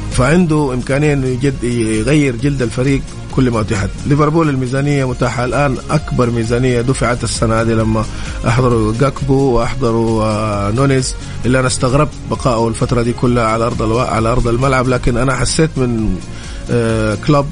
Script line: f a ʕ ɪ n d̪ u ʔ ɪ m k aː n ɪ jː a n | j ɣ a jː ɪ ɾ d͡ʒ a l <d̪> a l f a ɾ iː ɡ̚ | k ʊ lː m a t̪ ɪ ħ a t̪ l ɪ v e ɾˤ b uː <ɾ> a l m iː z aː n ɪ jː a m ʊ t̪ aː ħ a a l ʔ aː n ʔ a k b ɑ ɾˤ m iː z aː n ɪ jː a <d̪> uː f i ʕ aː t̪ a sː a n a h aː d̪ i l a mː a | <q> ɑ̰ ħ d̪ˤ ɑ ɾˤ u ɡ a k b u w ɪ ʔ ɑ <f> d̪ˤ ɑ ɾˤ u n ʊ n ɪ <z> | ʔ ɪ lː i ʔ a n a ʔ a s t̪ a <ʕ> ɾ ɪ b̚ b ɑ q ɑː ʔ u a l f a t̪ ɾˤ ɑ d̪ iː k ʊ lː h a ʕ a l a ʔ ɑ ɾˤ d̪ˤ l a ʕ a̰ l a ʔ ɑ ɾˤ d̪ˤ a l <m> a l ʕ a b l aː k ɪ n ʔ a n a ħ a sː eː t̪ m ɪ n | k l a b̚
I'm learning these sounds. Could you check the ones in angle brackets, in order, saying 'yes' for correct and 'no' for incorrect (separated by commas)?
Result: yes, no, yes, no, no, yes, no, yes